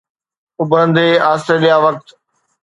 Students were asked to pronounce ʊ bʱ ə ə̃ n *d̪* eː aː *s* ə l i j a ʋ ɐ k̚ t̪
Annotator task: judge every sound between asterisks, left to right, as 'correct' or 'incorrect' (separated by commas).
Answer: correct, correct